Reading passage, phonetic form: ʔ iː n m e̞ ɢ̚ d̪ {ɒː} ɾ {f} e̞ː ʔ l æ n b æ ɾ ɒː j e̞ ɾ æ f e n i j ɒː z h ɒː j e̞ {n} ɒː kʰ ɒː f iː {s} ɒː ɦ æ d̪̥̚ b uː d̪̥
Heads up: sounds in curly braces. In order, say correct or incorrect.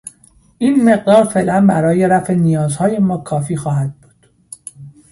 correct, correct, incorrect: m, incorrect: x

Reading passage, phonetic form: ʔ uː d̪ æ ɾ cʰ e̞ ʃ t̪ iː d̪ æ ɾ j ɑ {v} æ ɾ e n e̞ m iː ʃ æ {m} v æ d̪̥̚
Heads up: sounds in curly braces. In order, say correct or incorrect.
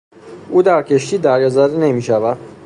incorrect: z, incorrect: none

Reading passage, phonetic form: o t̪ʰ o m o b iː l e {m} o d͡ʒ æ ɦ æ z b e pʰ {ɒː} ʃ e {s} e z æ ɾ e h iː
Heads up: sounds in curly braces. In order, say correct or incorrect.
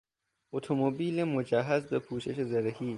correct, incorrect: uː, incorrect: ʃ

